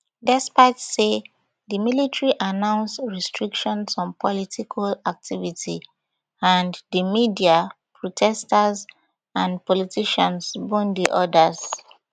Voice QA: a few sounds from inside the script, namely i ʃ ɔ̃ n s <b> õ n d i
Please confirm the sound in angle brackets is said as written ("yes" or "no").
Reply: yes